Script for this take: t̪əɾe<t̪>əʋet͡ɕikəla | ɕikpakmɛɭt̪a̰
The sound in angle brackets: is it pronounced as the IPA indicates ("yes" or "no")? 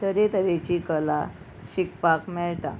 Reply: yes